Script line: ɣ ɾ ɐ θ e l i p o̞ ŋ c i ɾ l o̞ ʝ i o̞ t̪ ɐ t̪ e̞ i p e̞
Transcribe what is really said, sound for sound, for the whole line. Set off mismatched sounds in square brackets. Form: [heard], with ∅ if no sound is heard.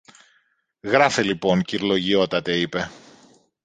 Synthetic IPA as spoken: ɣ ɾ ɐ [f] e l i p o̞ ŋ c i ɾ l o̞ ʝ i o̞ t̪ ɐ t̪ e̞ i p e̞